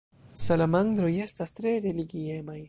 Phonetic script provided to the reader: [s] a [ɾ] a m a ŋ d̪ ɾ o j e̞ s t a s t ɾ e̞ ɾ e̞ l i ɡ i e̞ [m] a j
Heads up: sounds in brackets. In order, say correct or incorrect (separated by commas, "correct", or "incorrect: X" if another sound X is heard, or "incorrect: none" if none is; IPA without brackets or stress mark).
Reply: correct, incorrect: l, correct